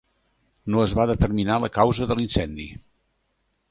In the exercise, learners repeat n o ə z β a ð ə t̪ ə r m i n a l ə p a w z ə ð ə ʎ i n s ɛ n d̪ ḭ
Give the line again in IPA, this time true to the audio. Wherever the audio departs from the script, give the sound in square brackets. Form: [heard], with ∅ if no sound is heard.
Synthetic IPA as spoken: n o ə z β a ð ə t̪ ə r m i n a l ə [k] a w z ə ð ə [l] i n s ɛ n d̪ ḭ